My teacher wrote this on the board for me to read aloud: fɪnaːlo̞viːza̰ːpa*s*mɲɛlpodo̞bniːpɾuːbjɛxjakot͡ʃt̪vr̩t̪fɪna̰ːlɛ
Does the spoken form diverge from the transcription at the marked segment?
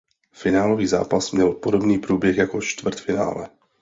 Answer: no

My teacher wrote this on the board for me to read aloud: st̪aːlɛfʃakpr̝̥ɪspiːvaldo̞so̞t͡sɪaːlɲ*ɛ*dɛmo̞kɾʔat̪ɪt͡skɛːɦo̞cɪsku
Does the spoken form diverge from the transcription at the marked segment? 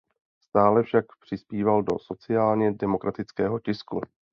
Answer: no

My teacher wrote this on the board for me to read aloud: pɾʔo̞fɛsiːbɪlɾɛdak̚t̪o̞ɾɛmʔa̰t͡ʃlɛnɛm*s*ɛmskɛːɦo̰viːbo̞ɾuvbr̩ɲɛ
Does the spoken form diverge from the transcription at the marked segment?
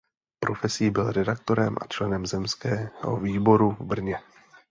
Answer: yes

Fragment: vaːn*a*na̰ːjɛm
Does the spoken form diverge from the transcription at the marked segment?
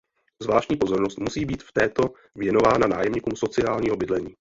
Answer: no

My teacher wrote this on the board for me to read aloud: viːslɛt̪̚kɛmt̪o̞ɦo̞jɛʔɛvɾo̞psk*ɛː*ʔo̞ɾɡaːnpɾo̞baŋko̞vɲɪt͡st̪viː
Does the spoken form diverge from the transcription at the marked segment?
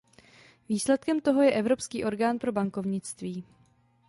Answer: yes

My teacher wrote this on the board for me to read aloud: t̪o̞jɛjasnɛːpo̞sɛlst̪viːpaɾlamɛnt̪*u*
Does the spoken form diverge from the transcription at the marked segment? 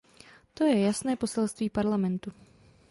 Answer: no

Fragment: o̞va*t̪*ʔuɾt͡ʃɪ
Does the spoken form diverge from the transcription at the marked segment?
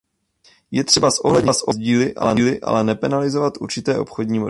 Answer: no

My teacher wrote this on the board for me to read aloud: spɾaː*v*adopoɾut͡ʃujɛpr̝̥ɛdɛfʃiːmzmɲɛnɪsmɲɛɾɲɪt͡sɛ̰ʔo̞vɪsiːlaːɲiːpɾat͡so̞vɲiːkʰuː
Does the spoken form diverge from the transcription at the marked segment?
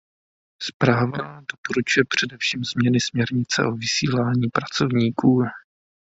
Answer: no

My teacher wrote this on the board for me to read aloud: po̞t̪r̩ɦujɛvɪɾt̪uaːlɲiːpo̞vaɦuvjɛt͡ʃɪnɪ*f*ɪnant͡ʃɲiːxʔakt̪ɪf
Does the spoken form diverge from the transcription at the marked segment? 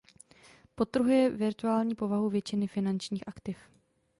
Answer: no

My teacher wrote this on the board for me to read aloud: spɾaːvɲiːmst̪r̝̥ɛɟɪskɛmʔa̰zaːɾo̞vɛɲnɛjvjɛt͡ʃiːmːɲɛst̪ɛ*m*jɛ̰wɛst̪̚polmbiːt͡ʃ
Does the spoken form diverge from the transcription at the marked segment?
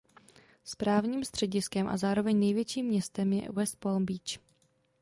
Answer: no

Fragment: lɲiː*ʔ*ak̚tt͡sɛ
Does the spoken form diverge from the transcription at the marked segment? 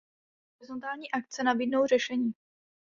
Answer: no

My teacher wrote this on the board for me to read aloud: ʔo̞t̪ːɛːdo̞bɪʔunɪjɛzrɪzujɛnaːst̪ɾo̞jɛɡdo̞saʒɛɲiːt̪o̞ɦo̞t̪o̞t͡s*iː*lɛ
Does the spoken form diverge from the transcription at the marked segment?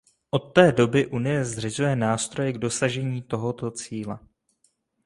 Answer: no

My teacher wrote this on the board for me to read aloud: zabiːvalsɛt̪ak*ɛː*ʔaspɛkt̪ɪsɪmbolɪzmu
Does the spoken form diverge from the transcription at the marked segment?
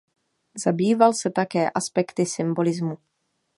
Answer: no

